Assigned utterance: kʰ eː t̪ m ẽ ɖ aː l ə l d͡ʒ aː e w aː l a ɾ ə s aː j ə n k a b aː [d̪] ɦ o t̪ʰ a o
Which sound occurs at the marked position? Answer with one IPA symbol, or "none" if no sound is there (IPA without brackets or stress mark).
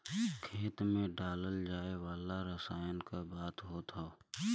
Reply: t̪